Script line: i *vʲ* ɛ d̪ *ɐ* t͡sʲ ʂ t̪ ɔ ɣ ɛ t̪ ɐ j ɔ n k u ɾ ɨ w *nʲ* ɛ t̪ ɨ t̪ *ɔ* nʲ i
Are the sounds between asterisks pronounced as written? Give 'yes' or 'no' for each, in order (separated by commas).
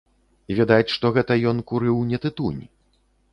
yes, no, yes, no